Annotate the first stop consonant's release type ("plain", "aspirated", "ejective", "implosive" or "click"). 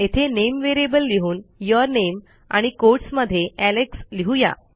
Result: aspirated